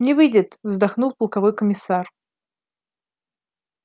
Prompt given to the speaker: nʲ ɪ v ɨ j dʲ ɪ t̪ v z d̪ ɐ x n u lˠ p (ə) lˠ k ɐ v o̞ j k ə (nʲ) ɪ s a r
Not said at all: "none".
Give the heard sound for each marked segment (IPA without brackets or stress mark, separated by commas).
ə, mʲ